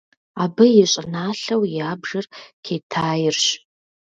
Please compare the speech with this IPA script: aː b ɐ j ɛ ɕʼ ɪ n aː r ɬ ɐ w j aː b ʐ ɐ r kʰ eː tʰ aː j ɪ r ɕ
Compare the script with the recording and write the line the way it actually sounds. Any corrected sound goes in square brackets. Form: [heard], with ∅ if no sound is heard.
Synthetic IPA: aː b ɐ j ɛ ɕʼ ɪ n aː [∅] ɬ ɐ w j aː b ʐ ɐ r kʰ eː tʰ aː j ɪ r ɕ